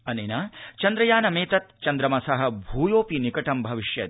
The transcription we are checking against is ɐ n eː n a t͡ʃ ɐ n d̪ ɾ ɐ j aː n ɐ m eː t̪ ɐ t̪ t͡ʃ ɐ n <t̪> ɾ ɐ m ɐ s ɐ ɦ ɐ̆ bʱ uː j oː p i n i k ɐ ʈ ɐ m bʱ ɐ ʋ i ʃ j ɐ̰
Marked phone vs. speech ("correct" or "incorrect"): incorrect